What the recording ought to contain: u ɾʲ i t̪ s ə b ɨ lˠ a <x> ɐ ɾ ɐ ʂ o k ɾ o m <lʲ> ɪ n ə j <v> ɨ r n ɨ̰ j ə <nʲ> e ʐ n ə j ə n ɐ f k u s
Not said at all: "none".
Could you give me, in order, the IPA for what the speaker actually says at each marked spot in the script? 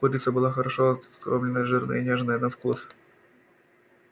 x, lʲ, ʐ, nʲ

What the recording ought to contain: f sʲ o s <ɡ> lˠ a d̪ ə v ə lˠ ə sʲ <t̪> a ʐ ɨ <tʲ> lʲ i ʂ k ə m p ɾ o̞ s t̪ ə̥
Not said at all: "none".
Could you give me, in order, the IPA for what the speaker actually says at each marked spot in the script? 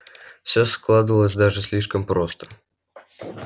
k, d̪, sʲ

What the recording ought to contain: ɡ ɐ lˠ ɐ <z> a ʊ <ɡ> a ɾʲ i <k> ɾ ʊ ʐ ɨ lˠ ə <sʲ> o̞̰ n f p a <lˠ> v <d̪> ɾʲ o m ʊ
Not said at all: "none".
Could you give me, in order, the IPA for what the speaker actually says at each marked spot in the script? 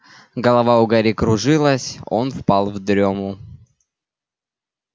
v, ɡ, k, sʲ, lˠ, d̪

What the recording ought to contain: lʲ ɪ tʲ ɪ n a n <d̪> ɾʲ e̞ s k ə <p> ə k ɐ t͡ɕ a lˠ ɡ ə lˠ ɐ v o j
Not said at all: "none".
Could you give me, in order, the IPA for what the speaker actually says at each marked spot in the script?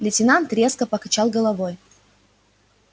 t̪, p

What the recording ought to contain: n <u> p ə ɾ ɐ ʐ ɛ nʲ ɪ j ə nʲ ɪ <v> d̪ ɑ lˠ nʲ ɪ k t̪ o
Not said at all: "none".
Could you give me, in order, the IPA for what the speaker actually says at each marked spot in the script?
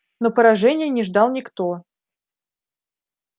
o, ʐ

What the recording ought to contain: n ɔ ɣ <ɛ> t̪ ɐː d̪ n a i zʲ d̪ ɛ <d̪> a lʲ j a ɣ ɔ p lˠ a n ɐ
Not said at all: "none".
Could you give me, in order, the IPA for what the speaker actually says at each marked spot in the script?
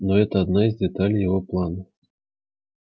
ɛ, t̪

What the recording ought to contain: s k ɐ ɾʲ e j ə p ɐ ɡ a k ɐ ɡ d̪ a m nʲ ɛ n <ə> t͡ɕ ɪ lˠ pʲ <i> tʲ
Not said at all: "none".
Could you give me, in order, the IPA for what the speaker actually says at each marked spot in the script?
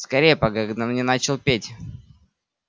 a, e

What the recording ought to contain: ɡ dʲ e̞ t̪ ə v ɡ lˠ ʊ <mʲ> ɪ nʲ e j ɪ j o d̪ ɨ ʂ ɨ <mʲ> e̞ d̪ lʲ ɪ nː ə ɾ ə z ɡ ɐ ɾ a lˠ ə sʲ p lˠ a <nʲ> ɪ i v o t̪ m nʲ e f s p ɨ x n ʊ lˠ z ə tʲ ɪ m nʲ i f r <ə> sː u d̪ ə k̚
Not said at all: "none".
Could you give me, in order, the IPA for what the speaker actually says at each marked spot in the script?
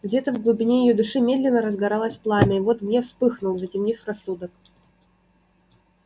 bʲ, mʲ, mʲ, ɐ

